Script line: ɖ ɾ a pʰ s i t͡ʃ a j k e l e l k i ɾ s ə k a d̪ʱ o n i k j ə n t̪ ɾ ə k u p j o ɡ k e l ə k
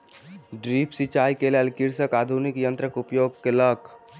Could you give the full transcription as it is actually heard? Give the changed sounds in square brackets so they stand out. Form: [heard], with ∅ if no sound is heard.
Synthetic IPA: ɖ ɾ [i] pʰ s i t͡ʃ a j k e l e l k i ɾ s ə k a d̪ʱ [u] n i k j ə n t̪ ɾ ə k u p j o ɡ k e l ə k